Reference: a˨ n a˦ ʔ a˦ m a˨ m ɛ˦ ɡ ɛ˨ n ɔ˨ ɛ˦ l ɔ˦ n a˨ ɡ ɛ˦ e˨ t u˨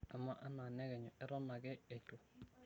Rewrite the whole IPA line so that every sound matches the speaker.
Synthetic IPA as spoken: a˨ m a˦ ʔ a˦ n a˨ n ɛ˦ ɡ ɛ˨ ɲ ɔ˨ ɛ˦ ɾ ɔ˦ n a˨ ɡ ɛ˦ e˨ t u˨